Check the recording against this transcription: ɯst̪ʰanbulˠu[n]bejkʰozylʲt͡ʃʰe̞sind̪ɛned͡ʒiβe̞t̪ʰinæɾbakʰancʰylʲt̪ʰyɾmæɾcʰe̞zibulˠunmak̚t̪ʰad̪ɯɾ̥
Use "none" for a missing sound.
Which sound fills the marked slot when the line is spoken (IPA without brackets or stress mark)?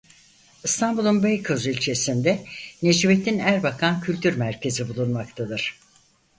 n